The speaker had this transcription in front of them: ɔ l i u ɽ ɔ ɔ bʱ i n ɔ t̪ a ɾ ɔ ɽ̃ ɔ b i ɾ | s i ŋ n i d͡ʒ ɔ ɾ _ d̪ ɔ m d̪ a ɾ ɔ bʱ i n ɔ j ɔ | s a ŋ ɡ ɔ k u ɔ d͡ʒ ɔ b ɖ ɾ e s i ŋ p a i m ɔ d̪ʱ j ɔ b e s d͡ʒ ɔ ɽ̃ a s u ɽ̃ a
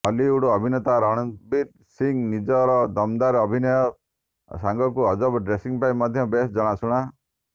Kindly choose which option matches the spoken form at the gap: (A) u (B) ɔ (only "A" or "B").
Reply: B